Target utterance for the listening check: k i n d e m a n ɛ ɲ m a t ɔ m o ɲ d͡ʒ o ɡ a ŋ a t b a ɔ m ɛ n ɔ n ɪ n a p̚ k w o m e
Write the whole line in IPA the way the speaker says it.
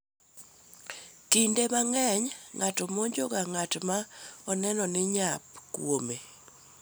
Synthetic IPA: k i n d e m a ŋ ɛ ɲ ŋ a t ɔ m o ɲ d͡ʒ o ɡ a ŋ a t m a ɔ n ɛ n ɔ n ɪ ɲ a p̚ k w o m e